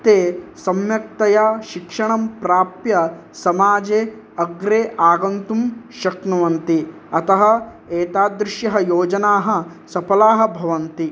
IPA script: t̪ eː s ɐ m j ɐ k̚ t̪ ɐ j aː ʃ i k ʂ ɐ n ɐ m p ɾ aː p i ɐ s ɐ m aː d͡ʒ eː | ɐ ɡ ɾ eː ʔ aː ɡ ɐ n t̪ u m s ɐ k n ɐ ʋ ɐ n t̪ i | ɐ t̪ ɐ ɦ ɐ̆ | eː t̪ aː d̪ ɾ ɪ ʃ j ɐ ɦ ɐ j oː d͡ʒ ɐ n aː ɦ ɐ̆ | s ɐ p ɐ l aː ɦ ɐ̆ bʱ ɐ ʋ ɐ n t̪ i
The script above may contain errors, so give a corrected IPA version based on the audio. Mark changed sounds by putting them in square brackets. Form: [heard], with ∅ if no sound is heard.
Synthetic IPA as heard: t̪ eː s ɐ m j ɐ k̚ t̪ ɐ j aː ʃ i k ʂ ɐ [ɳ] ɐ m p ɾ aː p [j] ɐ s ɐ m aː d͡ʒ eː | ɐ ɡ ɾ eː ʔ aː ɡ ɐ n t̪ u m [ʃ] ɐ k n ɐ ʋ ɐ n t̪ i | ɐ t̪ ɐ ɦ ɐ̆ | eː t̪ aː d̪ ɾ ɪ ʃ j ɐ ɦ ɐ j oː d͡ʒ ɐ n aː ɦ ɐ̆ | s ɐ p ɐ l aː ɦ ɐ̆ bʱ ɐ ʋ ɐ n t̪ i

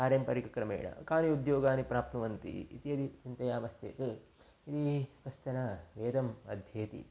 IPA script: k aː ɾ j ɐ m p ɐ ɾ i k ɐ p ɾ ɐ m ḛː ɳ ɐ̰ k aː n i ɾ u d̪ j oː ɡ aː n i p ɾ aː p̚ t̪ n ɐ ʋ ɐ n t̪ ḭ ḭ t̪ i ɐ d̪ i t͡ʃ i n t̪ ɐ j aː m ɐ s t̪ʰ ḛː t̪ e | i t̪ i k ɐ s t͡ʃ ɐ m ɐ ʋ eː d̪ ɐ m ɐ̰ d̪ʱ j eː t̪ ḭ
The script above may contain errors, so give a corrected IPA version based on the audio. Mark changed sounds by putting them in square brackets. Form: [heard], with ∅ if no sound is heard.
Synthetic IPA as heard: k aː ɾ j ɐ m p ɐ ɾ i k ɐ [k] ɾ ɐ m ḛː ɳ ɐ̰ k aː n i [∅] u d̪ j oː ɡ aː n i p ɾ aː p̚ t̪ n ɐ ʋ ɐ n t̪ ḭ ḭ t̪ i ɐ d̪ i t͡ʃ i n t̪ ɐ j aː m ɐ s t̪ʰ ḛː t̪ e | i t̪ i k ɐ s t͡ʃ ɐ [n] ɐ ʋ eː d̪ ɐ m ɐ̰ d̪ʱ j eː t̪ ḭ

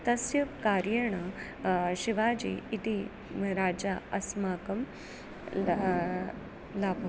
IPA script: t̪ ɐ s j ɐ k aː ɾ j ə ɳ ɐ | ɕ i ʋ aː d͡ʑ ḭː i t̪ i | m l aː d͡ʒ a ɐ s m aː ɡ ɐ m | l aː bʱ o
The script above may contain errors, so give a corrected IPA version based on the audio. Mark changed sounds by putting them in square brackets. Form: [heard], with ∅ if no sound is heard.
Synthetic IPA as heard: t̪ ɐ s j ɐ k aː ɾ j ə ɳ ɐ | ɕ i ʋ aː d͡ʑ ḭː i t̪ i | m [ɾ] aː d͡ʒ a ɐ s m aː [k] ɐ m | l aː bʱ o

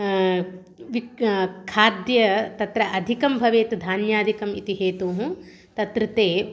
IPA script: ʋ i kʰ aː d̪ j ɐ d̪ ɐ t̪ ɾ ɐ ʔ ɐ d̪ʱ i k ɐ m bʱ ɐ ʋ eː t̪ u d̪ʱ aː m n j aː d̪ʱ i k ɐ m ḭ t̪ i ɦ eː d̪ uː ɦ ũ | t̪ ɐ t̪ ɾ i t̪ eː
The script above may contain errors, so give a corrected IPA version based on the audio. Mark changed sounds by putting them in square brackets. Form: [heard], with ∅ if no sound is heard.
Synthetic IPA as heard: ʋ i kʰ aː d̪ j ɐ [t̪] ɐ t̪ ɾ ɐ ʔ ɐ d̪ʱ i k ɐ m bʱ ɐ ʋ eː t̪ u d̪ʱ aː [∅] n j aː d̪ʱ i k ɐ m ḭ t̪ i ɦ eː [t̪] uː ɦ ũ | t̪ ɐ t̪ ɾ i t̪ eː

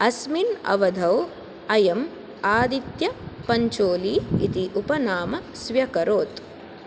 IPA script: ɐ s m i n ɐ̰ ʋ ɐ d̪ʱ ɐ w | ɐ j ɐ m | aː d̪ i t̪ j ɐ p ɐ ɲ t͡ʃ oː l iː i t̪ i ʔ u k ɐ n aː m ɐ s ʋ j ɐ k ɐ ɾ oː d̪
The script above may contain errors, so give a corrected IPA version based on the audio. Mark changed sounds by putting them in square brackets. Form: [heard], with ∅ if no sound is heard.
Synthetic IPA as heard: ɐ s m i n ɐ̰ ʋ ɐ d̪ʱ ɐ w | ɐ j ɐ m | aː d̪ i t̪ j ɐ p ɐ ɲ t͡ʃ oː l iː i t̪ i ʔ u [p] ɐ n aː m ɐ s ʋ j ɐ k ɐ ɾ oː [t̪]

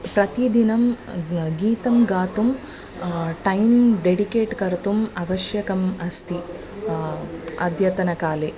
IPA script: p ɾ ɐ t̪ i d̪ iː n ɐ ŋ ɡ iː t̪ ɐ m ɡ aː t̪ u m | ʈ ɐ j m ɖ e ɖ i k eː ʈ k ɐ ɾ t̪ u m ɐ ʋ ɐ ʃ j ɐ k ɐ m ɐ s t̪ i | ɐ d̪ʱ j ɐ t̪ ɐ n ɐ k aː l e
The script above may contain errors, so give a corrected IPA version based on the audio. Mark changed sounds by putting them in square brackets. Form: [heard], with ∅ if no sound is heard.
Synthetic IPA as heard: p ɾ ɐ t̪ i d̪ [i] n ɐ [m] ɡ iː t̪ ɐ m ɡ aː t̪ u m | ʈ ɐ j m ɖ e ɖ i k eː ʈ k ɐ ɾ t̪ u m ɐ ʋ ɐ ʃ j ɐ k ɐ m ɐ s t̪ i | ɐ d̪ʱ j ɐ t̪ ɐ n ɐ k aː l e

